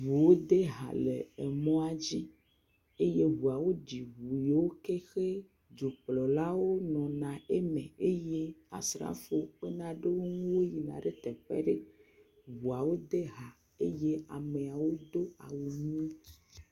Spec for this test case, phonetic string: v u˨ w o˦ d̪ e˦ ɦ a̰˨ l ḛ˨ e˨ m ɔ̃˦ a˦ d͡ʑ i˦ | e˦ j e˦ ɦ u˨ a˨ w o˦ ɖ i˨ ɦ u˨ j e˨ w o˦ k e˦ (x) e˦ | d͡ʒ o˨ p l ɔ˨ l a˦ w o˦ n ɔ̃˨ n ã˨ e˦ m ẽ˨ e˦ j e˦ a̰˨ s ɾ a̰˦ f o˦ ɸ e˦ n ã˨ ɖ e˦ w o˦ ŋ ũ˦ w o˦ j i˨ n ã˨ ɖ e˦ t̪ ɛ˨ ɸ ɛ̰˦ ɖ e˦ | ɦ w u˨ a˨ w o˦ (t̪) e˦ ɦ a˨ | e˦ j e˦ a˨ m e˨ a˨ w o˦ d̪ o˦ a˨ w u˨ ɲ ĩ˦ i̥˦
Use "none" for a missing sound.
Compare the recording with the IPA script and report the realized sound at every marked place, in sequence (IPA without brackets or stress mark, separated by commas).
x, d̪